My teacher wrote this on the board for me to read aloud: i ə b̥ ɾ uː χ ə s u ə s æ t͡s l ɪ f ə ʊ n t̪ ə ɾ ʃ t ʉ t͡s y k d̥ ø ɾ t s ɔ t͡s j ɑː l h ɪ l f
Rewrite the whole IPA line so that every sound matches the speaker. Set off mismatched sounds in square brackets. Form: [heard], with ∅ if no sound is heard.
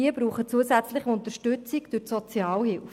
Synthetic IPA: i ə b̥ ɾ uː χ ə [t͡s] u ə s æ t͡s l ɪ [χ] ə ʊ n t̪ ə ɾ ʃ t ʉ t͡s [i] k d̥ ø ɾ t s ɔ t͡s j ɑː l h ɪ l f